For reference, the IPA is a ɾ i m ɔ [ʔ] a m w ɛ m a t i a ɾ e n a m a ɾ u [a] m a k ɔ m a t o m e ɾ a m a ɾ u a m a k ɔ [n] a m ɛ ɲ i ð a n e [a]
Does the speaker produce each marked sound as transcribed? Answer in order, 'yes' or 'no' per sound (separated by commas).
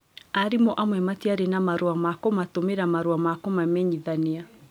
yes, yes, no, yes